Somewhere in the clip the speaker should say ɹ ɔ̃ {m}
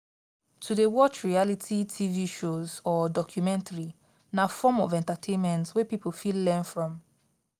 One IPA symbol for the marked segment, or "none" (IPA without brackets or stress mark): m